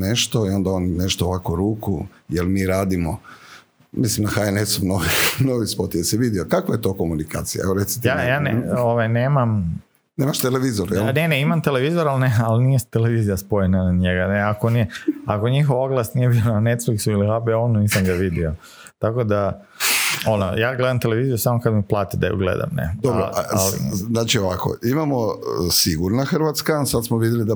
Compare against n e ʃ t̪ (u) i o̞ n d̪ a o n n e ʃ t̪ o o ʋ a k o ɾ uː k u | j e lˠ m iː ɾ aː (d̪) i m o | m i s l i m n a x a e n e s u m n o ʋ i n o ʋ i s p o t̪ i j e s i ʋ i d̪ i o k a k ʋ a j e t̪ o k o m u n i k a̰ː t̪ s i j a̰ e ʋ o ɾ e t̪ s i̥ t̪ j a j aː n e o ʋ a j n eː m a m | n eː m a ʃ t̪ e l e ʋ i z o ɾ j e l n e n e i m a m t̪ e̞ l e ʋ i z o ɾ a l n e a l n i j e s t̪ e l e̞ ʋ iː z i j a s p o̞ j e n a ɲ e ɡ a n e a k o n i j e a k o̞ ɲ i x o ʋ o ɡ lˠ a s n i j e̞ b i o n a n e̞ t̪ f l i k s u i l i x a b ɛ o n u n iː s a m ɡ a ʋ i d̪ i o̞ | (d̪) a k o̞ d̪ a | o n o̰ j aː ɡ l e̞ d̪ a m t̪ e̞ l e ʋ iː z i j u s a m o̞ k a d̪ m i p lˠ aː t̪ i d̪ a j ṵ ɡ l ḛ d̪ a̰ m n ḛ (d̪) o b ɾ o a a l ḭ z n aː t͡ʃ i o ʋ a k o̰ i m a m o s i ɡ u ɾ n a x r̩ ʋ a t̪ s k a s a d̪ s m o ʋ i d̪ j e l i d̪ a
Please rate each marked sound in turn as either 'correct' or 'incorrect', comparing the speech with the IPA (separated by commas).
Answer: incorrect, correct, incorrect, correct